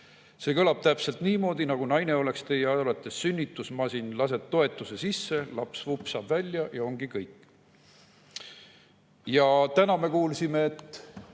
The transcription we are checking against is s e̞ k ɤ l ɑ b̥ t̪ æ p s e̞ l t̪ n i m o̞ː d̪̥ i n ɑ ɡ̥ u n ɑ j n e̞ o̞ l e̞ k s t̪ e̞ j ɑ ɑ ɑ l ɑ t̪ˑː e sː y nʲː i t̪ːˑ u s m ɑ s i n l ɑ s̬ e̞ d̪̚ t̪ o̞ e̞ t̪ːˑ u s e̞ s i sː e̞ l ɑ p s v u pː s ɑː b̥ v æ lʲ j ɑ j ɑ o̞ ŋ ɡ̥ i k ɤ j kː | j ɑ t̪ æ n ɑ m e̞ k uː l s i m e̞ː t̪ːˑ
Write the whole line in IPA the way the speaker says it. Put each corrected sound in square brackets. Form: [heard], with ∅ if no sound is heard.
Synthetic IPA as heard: s e̞ k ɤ l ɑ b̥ t̪ æ p s e̞ l t̪ n [iː] m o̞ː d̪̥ i n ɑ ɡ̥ u n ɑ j n e̞ o̞ l e̞ k s t̪ e̞ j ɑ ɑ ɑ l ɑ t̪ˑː e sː y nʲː i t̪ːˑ u s m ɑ s i n l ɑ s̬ e̞ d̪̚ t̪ o̞ e̞ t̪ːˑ u s e̞ s i sː e̞ l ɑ p s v u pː s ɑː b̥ v æ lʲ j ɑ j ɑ o̞ ŋ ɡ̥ i k ɤ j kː | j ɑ t̪ æ n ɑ m e̞ k uː l s i m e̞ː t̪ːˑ